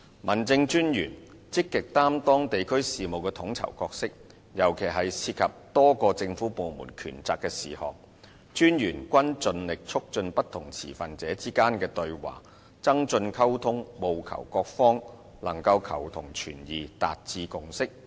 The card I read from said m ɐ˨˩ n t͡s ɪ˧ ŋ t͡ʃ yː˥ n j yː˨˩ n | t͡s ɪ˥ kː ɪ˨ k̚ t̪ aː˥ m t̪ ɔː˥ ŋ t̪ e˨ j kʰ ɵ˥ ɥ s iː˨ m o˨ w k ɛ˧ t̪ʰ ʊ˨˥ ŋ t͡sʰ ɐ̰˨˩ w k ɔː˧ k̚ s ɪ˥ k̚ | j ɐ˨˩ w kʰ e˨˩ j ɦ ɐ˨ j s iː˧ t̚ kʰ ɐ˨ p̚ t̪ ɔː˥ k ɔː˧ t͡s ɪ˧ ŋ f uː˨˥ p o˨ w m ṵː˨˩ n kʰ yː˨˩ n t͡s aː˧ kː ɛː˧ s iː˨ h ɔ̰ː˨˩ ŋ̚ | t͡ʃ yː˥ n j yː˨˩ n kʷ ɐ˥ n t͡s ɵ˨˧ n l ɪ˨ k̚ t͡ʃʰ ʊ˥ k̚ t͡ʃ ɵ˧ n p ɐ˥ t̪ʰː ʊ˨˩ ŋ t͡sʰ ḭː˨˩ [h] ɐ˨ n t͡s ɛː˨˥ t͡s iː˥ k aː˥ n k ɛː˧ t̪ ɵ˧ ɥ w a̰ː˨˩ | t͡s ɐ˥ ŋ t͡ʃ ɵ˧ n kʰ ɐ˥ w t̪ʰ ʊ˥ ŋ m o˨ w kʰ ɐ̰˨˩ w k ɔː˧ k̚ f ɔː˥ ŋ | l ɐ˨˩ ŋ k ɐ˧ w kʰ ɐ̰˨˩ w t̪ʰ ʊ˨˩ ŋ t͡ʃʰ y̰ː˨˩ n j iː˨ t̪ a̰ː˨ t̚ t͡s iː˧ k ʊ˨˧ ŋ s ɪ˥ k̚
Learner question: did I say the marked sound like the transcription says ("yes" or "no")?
no